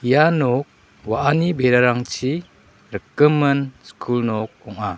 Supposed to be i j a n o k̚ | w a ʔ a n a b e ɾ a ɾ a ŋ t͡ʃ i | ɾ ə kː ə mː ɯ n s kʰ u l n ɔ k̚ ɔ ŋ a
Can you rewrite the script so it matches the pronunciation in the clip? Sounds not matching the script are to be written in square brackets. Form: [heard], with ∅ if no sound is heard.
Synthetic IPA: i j a n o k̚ | w a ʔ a n [i] b e ɾ a ɾ a ŋ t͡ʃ i | ɾ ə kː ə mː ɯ n s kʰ u l n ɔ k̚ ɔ ŋ a